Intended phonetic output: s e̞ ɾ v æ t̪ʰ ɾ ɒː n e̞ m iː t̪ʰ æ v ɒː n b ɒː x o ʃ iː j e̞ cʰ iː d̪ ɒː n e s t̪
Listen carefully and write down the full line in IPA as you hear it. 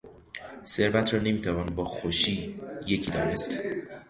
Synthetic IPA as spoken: s e̞ ɾ v æ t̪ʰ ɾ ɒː n e̞ m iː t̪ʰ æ v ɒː n b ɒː x o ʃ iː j e̞ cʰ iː d̪ ɒː n e s t̪